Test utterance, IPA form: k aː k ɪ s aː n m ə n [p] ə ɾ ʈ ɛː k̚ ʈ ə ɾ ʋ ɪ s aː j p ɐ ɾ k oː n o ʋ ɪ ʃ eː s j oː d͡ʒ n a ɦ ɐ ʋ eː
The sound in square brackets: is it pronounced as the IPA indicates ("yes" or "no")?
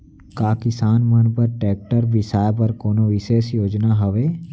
yes